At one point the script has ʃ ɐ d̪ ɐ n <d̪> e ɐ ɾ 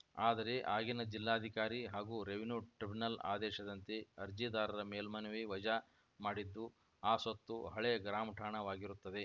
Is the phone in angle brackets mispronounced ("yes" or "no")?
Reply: yes